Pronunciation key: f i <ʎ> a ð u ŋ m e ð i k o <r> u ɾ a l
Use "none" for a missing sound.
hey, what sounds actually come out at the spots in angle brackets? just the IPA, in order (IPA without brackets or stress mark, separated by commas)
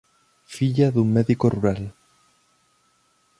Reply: ʎ, r